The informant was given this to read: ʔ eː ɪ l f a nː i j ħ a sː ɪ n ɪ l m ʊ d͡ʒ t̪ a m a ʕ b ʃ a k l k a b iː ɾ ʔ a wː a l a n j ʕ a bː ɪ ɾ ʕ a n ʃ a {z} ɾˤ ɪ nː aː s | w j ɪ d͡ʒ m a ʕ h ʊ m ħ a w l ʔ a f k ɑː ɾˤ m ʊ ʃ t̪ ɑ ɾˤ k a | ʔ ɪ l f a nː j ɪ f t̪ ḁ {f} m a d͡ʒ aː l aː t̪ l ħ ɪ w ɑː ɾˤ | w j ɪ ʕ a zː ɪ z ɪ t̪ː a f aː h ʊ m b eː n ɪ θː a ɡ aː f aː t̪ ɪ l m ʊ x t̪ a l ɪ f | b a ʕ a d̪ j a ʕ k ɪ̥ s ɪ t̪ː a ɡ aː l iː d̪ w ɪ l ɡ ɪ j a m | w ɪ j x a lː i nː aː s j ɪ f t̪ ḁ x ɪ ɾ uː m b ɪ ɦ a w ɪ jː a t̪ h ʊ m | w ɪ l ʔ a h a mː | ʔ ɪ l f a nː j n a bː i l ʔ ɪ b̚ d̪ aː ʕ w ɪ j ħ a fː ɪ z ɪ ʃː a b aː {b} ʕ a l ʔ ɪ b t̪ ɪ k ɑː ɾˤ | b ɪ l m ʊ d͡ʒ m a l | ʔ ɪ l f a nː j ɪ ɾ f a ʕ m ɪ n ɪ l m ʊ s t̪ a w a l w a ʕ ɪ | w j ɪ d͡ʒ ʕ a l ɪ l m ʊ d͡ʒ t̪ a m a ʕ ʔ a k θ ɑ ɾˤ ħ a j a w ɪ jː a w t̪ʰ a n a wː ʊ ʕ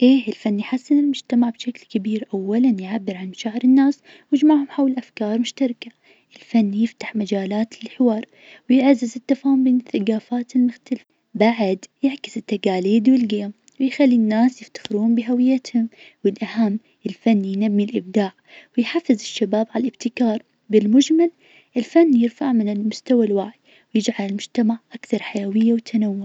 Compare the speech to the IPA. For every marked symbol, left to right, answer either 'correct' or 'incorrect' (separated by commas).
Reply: incorrect, incorrect, correct